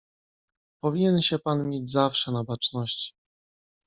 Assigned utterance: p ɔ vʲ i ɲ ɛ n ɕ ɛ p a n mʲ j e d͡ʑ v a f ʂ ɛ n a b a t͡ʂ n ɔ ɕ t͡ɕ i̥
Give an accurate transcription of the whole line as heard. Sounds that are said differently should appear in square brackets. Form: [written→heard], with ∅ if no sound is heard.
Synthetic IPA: p ɔ vʲ i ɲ ɛ n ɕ ɛ p a n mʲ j e d͡ʑ [v→z] a f ʂ ɛ n a b a t͡ʂ n ɔ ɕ t͡ɕ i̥